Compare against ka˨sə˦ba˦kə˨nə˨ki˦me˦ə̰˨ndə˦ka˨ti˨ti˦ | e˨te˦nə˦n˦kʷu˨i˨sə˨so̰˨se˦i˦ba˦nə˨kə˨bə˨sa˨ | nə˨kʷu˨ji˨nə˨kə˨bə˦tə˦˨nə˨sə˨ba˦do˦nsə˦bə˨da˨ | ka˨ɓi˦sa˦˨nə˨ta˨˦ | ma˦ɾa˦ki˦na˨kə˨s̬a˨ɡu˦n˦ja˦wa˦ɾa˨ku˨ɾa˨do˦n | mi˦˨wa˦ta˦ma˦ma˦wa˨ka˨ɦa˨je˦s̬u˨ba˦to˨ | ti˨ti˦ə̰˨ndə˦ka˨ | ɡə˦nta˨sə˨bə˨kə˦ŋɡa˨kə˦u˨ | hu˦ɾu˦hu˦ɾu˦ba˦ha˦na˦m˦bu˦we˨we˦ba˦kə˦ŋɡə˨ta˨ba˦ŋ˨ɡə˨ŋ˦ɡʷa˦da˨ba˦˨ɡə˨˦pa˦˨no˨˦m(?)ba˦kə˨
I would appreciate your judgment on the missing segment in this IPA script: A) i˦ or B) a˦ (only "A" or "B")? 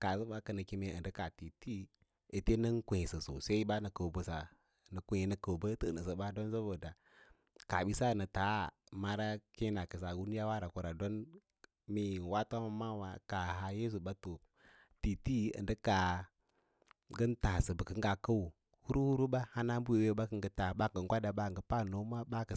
B